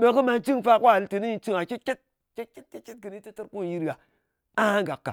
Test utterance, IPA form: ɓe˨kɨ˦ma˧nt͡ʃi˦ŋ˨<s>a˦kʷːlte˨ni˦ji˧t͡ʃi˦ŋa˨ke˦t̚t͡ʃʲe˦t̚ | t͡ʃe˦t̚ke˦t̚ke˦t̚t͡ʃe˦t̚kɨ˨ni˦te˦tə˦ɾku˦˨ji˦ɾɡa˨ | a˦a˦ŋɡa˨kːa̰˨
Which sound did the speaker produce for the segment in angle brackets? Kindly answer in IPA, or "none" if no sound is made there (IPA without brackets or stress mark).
f